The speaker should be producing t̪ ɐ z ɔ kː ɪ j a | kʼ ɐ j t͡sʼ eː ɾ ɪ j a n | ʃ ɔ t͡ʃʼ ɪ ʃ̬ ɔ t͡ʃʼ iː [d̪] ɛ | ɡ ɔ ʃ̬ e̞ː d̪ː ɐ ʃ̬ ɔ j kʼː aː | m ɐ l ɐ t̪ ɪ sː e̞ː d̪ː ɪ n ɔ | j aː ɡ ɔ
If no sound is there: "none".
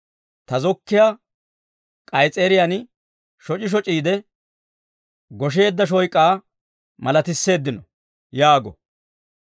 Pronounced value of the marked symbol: d̪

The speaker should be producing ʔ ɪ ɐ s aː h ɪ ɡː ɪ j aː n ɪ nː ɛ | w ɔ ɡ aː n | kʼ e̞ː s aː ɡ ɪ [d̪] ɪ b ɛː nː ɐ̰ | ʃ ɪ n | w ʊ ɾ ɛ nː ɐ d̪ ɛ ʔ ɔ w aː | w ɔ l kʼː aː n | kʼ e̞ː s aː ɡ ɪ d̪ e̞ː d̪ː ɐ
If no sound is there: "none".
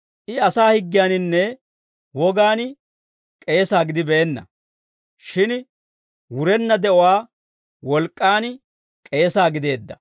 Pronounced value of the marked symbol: d̪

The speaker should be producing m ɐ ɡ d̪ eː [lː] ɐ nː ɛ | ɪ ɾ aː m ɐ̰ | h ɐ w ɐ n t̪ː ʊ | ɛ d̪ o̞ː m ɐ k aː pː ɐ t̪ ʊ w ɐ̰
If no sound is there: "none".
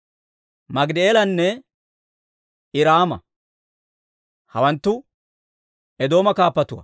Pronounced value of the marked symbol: l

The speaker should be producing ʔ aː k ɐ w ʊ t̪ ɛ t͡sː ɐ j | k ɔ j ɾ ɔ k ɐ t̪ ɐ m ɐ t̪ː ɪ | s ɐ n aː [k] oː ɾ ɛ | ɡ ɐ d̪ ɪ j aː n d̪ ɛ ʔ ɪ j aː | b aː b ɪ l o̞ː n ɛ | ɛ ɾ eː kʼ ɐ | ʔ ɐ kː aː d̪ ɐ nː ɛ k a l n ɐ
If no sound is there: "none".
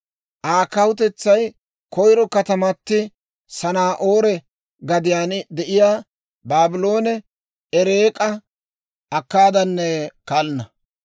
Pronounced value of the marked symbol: ʔ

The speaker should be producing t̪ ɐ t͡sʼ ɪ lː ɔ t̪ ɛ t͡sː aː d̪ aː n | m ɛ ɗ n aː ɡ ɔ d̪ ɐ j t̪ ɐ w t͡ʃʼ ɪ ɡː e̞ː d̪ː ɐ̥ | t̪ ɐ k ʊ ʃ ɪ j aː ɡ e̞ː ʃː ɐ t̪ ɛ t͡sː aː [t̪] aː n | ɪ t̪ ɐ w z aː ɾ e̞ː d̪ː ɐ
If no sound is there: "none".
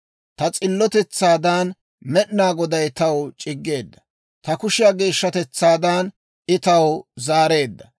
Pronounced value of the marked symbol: d̪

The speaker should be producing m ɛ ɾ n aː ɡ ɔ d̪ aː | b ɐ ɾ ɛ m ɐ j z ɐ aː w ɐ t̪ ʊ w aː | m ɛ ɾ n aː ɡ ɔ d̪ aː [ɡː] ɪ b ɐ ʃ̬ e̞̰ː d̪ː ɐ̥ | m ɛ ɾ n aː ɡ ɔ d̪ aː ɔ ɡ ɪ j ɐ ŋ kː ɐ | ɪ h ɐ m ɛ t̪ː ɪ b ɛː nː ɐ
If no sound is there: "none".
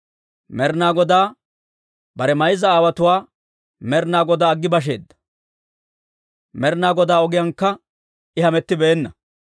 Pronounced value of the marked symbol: ɡː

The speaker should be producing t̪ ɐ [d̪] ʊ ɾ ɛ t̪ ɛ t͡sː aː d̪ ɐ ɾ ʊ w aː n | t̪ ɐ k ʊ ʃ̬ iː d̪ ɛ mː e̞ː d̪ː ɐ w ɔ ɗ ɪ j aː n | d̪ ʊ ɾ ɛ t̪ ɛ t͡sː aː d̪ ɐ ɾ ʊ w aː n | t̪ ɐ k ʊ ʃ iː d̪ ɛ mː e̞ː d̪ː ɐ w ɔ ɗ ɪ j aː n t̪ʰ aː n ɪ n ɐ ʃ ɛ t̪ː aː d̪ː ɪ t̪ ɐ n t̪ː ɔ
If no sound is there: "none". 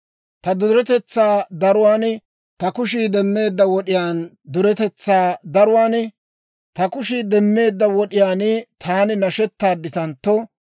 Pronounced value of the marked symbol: d̪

